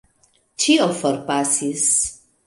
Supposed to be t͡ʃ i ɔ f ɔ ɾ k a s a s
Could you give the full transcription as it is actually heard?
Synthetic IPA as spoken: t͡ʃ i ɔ f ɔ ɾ p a s i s